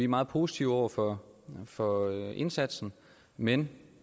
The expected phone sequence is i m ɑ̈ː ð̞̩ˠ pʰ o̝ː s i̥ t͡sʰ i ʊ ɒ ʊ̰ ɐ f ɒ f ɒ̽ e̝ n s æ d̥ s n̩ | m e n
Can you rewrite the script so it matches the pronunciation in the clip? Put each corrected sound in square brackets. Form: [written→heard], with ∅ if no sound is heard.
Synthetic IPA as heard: i m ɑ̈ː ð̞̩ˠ pʰ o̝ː s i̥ t͡sʰ i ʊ ɒ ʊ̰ ɐ f ɒ f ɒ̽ e̝ n s æ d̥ s n̩ | m e n